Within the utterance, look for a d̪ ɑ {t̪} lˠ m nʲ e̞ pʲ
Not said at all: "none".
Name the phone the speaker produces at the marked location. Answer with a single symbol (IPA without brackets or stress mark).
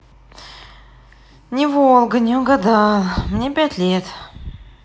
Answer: none